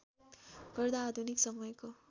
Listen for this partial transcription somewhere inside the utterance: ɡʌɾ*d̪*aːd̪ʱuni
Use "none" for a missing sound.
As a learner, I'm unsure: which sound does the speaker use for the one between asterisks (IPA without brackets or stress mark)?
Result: d̪